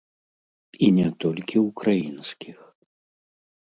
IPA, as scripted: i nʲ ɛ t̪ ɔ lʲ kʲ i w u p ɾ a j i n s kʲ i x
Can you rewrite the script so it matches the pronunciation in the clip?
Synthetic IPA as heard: i nʲ ɛ t̪ ɔ lʲ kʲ i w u k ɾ a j i n s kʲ i x

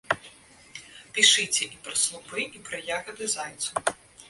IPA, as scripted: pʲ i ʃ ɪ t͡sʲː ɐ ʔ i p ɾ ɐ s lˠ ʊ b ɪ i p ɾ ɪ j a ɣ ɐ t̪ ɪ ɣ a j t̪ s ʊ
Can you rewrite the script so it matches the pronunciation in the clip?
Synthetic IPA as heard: pʲ i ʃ ɪ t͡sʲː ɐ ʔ i p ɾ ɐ s lˠ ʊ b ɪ i p ɾ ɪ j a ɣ ɐ d̪ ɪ z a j t̪ s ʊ

